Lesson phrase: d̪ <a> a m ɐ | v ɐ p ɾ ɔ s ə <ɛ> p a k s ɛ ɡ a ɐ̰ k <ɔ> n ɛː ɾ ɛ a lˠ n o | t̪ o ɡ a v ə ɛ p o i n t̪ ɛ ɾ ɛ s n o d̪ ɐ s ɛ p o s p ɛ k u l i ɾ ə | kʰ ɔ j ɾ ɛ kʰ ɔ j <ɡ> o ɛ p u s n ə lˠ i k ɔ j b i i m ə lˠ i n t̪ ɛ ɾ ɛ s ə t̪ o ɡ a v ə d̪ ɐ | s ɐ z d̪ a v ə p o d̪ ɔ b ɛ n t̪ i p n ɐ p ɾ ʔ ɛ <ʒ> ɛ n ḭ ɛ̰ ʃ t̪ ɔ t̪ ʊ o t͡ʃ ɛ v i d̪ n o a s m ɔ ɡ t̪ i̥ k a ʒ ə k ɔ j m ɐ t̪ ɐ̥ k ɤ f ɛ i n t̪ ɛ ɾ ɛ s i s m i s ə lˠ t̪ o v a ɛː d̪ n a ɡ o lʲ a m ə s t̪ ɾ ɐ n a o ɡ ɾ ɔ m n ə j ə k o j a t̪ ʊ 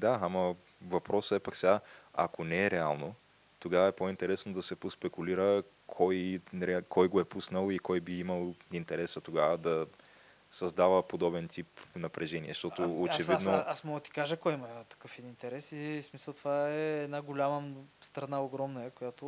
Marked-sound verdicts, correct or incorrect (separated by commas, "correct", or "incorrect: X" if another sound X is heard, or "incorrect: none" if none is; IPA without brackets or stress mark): correct, correct, incorrect: o, correct, correct